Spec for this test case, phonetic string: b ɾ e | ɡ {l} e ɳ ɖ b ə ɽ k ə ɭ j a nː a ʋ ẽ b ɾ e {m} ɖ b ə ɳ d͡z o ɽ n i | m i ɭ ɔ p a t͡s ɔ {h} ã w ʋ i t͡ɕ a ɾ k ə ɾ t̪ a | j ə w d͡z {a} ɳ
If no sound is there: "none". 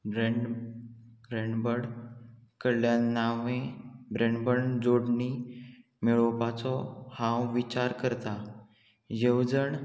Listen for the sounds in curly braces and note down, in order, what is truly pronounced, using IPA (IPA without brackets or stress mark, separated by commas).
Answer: ɾ, ɳ, h, ə